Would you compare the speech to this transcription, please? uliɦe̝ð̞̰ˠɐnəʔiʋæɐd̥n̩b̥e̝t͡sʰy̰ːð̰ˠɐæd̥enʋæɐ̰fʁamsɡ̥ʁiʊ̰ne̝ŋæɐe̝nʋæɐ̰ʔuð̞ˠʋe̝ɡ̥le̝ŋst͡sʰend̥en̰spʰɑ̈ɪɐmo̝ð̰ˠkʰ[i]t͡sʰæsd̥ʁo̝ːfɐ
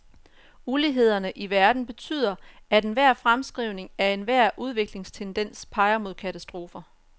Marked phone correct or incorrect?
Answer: incorrect